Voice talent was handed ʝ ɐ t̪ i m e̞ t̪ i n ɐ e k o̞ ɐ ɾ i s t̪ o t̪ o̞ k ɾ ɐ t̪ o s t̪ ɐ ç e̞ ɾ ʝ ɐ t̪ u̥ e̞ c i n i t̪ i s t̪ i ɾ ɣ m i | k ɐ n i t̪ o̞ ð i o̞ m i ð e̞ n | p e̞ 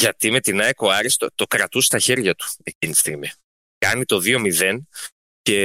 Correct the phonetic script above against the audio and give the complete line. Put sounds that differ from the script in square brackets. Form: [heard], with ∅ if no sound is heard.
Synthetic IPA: ʝ ɐ t̪ i m e̞ t̪ i n ɐ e k o̞ ɐ ɾ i s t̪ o t̪ o̞ k ɾ ɐ t̪ [u] s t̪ ɐ ç e̞ ɾ ʝ ɐ t̪ u̥ e̞ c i n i t̪ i s t̪ i [∅] ɣ m i | k ɐ n i t̪ o̞ ð i o̞ m i ð e̞ n | [c] e̞